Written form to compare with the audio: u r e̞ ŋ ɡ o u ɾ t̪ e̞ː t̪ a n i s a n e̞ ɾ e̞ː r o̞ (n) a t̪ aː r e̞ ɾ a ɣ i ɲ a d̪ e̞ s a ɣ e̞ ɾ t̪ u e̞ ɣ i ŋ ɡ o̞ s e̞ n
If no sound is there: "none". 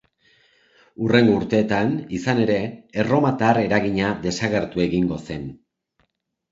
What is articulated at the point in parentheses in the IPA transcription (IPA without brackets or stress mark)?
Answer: m